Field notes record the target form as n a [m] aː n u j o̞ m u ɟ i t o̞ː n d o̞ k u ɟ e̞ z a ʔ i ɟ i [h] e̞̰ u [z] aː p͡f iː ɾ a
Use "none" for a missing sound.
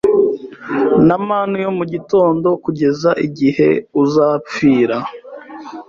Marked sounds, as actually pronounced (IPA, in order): m, h, z

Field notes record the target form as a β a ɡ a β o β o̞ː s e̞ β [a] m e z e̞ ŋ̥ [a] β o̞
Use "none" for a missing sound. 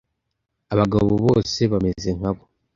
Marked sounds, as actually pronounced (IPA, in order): a, a

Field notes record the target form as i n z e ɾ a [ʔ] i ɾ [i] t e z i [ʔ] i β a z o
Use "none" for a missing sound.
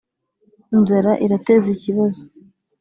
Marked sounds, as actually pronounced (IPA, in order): ʔ, a, c

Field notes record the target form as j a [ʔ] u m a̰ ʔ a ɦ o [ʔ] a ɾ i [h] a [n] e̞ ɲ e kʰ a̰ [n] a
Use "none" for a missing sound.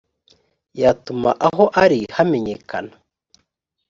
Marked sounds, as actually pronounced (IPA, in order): t, ʔ, h, m, n

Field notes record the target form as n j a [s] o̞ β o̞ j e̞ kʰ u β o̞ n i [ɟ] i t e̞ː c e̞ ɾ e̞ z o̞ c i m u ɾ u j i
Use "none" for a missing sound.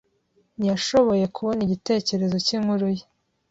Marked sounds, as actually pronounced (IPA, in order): ʃ, ɟ

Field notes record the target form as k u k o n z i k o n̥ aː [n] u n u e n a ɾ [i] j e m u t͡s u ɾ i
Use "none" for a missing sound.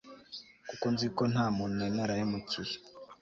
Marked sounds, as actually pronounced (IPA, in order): m, a

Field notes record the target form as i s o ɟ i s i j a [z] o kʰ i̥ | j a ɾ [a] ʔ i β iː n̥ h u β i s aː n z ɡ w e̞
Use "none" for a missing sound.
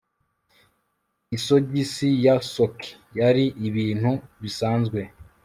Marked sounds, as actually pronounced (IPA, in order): s, i

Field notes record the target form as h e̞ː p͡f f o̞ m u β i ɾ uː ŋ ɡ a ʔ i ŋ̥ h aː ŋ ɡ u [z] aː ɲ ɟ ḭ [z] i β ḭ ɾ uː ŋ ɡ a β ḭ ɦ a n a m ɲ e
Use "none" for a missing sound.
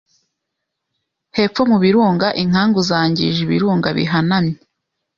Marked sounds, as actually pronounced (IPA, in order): z, ʒ

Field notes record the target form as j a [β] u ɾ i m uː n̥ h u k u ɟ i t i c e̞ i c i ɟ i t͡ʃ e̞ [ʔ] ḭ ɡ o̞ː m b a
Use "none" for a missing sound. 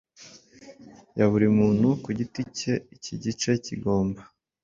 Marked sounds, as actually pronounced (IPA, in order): β, c

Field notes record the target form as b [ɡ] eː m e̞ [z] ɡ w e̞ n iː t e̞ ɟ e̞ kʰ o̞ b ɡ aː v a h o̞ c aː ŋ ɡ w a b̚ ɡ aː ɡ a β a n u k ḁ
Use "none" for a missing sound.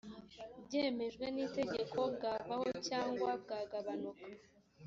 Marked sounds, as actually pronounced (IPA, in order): ɟ, ʒ

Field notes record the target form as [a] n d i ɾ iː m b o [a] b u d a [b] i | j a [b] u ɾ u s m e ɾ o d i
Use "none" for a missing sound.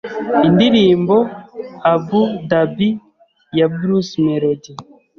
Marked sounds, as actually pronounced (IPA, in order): i, a, b, b

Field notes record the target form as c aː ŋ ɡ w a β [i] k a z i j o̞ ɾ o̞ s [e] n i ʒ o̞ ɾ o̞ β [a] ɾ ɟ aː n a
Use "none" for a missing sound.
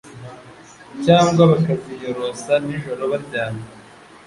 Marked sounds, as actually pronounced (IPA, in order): a, a, a

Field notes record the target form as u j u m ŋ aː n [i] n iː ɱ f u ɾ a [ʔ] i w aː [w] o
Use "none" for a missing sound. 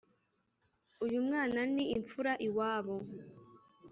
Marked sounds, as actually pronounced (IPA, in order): a, ʔ, β

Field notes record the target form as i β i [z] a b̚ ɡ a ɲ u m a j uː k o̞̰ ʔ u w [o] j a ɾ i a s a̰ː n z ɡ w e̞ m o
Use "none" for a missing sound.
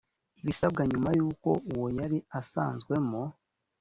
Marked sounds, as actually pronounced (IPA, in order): s, o

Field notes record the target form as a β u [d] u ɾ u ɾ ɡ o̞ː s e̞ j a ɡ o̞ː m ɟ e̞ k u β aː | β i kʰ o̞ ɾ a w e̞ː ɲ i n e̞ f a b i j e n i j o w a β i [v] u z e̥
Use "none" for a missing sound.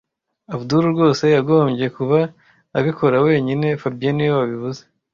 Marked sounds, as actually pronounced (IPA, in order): d, β

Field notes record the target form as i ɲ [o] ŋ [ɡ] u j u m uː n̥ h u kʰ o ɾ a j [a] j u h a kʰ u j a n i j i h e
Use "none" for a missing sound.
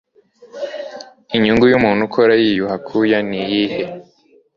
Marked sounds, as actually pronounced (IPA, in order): u, ɡ, i

